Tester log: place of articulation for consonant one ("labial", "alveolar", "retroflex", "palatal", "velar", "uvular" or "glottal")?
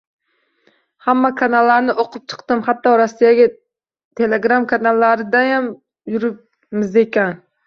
glottal